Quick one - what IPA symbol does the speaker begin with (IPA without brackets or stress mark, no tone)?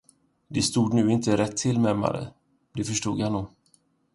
d̪